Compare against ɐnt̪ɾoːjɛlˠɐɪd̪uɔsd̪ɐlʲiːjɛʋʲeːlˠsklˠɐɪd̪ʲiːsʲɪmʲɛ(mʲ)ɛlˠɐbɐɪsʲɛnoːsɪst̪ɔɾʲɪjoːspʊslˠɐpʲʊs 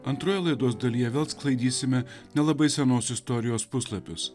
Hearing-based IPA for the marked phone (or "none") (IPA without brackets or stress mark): nʲ